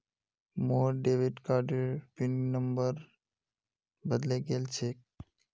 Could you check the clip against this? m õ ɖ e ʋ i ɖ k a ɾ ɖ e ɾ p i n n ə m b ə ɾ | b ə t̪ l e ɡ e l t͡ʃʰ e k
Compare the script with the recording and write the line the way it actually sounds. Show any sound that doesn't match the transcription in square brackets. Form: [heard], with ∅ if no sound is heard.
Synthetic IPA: m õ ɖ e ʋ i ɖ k a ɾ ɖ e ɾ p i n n ə m b ə ɾ | b ə [d̪] l e ɡ e l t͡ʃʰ e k